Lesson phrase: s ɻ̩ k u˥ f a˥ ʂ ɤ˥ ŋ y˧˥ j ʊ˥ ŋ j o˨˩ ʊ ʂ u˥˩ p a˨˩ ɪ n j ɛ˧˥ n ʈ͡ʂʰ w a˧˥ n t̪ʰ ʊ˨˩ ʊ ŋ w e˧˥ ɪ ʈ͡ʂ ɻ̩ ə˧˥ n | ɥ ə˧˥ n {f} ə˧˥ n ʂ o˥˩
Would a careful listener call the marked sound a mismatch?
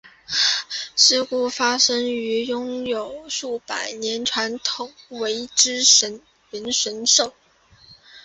yes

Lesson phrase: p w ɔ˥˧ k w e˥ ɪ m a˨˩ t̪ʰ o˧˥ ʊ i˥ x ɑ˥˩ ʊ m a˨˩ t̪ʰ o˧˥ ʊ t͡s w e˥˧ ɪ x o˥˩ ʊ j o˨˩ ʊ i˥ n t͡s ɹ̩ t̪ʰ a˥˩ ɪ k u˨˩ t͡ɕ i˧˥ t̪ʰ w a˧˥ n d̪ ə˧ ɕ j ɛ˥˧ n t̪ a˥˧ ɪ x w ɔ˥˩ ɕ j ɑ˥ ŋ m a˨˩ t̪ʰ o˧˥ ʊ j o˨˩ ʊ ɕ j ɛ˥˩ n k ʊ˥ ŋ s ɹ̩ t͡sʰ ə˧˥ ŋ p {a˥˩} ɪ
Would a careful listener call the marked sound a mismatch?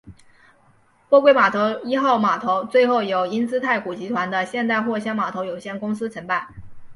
no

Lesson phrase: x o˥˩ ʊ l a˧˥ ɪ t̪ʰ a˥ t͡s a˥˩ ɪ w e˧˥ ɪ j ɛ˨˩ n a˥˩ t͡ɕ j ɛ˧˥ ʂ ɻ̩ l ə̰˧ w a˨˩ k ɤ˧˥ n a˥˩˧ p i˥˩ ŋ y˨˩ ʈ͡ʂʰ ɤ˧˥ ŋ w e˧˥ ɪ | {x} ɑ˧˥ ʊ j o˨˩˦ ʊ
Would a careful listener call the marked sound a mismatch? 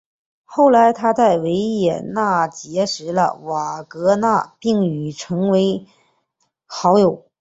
no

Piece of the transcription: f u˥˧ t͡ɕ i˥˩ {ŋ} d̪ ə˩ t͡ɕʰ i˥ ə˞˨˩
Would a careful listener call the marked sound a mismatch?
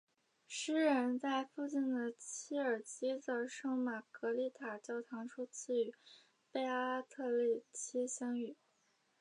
yes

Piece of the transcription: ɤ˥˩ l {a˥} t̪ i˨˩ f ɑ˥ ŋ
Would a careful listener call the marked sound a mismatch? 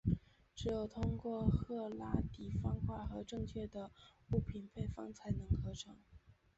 no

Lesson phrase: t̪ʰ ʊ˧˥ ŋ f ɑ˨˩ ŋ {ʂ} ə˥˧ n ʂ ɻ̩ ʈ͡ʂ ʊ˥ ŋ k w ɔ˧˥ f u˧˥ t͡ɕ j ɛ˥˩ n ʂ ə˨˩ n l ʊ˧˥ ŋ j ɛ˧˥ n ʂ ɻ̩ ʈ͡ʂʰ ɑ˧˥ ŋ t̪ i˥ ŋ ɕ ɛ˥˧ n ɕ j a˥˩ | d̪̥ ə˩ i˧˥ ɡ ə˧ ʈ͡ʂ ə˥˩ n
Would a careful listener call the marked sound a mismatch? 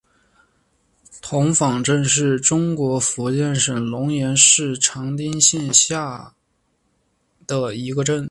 yes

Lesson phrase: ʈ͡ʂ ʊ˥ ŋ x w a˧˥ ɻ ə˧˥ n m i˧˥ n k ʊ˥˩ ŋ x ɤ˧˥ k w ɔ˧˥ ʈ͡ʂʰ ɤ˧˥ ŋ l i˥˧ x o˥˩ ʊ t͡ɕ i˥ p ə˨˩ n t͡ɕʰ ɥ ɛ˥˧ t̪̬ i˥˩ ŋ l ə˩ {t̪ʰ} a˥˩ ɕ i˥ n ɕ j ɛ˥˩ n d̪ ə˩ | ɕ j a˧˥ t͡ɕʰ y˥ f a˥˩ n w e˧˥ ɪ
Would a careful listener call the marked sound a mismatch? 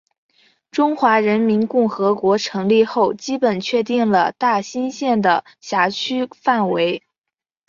yes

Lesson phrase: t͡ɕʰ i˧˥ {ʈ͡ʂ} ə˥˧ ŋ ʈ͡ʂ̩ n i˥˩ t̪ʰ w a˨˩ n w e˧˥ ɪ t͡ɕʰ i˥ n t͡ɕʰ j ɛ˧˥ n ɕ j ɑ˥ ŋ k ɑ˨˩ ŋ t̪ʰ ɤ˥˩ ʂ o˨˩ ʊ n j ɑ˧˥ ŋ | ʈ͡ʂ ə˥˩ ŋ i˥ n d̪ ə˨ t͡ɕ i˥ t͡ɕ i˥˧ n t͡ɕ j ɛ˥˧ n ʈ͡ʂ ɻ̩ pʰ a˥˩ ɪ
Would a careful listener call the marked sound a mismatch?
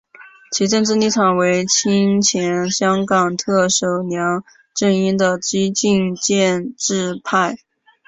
no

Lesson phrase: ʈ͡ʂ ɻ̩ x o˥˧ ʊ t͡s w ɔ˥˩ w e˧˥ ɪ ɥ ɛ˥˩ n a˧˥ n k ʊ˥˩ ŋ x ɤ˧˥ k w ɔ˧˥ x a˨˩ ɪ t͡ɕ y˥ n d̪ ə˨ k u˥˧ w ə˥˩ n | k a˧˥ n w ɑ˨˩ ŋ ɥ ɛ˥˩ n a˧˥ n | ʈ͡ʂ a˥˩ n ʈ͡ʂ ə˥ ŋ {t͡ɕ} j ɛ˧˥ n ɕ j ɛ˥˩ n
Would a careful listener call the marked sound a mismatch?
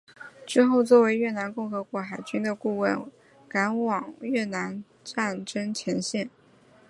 yes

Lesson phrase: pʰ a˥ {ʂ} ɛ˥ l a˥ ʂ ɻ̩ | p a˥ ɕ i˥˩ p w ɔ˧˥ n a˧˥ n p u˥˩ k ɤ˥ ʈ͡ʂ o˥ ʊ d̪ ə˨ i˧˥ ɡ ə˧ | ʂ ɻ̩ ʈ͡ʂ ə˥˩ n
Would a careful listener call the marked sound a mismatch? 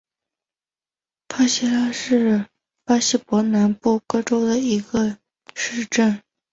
yes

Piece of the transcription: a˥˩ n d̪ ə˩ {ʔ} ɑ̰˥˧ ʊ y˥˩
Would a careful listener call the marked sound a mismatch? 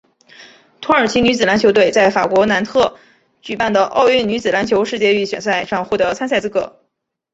no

